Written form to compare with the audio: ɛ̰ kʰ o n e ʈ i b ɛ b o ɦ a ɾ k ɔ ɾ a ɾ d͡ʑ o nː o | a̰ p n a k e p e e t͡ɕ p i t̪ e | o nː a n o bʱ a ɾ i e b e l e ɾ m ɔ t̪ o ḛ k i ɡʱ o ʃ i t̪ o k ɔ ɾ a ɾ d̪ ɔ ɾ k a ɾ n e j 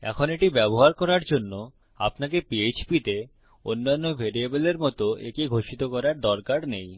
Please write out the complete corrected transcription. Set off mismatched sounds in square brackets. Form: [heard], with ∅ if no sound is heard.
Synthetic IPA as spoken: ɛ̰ kʰ o n e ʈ i b ɛ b o ɦ a ɾ k ɔ ɾ a ɾ d͡ʑ o nː o | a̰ p n a k e p [i] e t͡ɕ p i t̪ e | o nː a [nː] o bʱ [e] ɾ i e b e l e ɾ m ɔ t̪ o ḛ k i ɡʱ o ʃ i t̪ o k ɔ ɾ a ɾ d̪ ɔ ɾ k a ɾ n e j